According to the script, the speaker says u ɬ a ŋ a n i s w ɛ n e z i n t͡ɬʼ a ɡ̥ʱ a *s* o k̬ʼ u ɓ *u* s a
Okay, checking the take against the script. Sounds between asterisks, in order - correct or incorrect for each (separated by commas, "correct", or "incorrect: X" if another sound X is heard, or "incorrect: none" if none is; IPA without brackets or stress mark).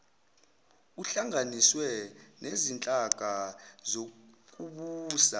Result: incorrect: z, incorrect: uː